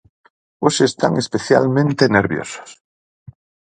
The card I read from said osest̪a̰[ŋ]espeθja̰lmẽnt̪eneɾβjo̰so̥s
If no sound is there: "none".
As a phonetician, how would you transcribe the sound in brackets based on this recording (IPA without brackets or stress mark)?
ŋ